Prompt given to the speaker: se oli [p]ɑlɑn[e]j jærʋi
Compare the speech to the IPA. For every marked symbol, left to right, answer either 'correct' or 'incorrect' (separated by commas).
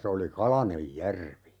incorrect, correct